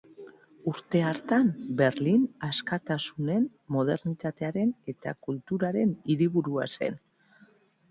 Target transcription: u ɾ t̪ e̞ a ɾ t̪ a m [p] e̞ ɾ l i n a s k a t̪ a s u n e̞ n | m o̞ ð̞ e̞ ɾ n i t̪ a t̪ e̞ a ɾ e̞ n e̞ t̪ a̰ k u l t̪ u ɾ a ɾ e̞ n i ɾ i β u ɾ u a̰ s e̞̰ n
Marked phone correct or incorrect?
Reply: incorrect